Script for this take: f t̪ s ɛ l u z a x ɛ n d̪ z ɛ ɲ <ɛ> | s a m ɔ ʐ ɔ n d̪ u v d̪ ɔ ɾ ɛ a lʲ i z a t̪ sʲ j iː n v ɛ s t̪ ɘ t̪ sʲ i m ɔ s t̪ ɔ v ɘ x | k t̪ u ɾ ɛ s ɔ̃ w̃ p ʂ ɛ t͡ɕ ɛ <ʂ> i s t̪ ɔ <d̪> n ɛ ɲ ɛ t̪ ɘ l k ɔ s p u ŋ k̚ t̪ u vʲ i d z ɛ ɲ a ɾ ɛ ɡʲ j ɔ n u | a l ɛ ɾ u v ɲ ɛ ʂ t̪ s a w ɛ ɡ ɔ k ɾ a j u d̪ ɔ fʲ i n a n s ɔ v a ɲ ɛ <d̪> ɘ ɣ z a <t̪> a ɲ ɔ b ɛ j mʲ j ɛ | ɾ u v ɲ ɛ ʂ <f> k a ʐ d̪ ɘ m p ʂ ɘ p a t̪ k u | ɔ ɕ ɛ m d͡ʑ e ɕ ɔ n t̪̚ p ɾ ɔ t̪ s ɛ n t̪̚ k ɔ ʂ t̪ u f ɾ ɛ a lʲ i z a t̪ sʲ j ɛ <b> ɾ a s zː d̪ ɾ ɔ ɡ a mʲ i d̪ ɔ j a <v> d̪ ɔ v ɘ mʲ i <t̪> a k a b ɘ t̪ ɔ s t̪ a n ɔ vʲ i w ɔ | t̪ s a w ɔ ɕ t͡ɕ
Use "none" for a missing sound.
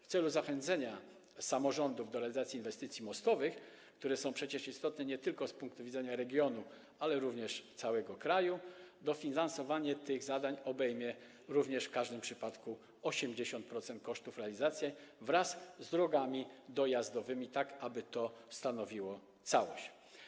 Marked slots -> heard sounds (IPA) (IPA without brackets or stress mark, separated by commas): a, ʂ, t̪, t̪, d̪, f, v, z, t̪